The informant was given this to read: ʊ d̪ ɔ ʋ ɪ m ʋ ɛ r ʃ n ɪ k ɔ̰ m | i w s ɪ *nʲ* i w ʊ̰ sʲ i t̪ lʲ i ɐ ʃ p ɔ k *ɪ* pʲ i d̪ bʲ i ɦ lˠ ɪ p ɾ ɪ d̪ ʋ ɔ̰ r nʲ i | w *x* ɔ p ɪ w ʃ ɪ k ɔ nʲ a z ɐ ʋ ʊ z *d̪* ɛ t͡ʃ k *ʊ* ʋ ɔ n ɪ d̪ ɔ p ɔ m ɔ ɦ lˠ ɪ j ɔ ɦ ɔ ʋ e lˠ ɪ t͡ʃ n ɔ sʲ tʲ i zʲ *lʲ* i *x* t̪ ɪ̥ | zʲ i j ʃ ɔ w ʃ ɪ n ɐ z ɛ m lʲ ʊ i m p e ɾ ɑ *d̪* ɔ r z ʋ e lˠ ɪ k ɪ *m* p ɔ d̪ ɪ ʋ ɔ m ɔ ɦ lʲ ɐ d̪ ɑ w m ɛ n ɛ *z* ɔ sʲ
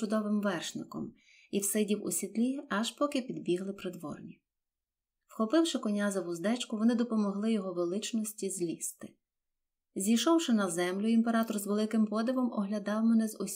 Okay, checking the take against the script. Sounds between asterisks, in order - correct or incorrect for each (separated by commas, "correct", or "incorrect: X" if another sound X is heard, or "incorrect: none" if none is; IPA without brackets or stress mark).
incorrect: dʲ, correct, correct, correct, correct, correct, incorrect: s, incorrect: t̪, correct, correct